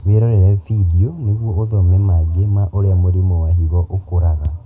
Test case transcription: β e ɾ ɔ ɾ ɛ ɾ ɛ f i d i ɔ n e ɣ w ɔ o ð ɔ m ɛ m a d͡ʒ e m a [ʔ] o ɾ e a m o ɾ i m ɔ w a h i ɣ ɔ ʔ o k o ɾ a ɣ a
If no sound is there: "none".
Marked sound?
ʔ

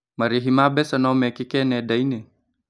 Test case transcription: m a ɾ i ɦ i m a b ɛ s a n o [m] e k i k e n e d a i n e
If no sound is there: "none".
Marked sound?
m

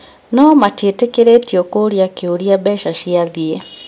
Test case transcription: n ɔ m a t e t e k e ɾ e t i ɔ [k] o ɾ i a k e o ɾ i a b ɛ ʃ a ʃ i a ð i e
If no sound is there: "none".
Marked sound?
k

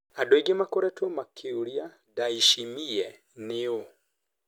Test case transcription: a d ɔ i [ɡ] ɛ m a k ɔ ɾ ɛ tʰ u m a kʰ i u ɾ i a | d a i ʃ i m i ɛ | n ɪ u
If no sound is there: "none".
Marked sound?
ɡ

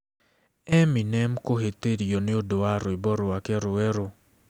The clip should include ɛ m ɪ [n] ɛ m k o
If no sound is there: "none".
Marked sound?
n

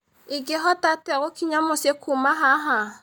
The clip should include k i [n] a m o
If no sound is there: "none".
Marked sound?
ɲ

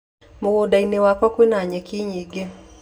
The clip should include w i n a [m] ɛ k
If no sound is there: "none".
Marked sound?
ɲ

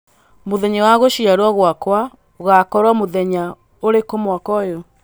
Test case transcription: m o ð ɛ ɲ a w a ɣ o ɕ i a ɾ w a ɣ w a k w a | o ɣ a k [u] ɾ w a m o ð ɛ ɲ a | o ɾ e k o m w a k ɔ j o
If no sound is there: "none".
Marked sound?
ɔ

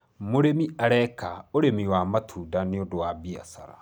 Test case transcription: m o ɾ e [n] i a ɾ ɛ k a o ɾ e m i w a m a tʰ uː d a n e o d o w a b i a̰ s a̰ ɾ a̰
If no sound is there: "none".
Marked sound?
m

